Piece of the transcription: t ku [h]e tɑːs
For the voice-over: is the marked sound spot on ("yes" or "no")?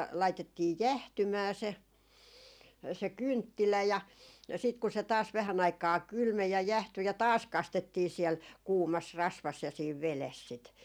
no